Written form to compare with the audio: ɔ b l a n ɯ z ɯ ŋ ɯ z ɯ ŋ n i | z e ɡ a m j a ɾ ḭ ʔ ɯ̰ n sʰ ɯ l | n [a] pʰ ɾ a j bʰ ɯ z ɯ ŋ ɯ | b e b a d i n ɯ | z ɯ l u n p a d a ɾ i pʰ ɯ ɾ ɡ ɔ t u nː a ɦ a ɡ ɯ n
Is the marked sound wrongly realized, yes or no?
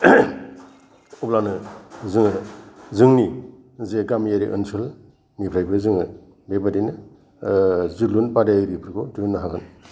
yes